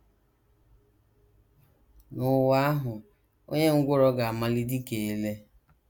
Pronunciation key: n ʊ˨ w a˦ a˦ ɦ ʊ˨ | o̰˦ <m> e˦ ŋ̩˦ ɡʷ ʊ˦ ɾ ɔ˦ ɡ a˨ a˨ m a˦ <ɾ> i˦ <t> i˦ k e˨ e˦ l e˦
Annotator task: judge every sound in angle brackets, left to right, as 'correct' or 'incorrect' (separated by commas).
incorrect, incorrect, incorrect